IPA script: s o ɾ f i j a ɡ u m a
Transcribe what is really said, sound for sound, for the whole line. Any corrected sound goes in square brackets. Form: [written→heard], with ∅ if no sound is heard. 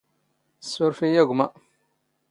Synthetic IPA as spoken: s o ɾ f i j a ɡ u m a